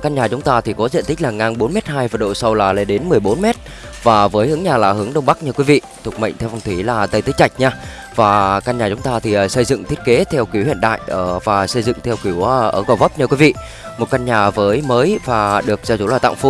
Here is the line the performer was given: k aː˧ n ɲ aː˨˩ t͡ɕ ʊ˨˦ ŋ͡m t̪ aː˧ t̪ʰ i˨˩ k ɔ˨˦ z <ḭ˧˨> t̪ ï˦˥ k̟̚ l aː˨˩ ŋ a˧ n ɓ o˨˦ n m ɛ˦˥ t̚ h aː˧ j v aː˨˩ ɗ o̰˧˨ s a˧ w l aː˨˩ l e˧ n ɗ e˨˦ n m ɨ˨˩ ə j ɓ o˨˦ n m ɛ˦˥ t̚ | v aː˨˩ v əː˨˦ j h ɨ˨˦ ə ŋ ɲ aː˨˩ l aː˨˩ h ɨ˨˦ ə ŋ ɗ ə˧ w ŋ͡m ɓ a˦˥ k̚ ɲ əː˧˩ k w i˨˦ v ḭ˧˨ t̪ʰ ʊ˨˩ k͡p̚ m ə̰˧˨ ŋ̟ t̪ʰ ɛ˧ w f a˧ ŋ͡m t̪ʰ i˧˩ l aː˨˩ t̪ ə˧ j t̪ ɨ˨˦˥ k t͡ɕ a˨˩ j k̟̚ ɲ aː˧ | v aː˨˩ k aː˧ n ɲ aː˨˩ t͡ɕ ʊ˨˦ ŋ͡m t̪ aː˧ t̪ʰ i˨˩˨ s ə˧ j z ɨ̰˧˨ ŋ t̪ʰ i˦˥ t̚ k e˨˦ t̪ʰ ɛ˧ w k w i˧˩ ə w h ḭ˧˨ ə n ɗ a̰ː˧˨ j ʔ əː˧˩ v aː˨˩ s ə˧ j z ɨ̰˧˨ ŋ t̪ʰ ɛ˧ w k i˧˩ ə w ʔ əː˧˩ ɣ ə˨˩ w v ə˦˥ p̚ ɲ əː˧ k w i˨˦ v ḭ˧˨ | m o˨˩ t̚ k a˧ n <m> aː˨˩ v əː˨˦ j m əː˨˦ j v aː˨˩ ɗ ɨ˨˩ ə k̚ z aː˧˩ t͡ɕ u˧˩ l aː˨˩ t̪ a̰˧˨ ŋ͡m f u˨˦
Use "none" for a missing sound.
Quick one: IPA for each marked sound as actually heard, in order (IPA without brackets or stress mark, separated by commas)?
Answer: ḭ˧˨, ɲ